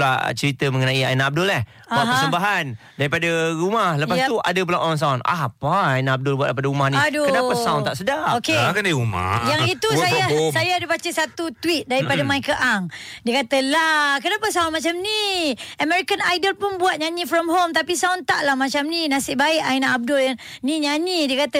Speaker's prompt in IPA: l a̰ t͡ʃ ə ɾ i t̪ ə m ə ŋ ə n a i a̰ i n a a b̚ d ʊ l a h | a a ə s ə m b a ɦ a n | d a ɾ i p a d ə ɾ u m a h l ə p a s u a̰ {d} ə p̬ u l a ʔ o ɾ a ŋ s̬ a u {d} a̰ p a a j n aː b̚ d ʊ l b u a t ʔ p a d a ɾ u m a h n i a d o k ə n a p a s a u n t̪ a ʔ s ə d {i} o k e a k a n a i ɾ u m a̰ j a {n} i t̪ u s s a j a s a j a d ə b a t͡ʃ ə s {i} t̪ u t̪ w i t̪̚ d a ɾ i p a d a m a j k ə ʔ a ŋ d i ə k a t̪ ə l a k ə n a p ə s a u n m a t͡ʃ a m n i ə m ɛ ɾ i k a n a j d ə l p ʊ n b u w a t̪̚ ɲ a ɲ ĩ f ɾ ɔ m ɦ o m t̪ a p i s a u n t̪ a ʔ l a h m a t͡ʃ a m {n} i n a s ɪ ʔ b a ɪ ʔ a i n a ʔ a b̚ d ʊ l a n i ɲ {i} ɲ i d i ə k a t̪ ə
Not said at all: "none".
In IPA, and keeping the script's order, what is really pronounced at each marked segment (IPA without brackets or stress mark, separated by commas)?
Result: d, n, a, ŋ, a, n, a